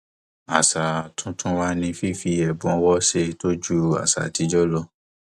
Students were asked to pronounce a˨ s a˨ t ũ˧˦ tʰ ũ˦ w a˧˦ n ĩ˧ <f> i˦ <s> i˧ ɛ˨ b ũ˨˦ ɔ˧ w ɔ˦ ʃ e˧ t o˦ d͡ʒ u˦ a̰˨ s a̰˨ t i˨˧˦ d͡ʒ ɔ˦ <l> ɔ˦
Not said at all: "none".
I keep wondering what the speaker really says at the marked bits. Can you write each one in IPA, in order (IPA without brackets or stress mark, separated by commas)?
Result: f, f, l